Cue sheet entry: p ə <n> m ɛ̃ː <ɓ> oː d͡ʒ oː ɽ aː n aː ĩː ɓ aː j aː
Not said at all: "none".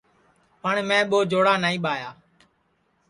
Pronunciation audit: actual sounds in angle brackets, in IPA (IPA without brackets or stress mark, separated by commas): ɳ, ɓ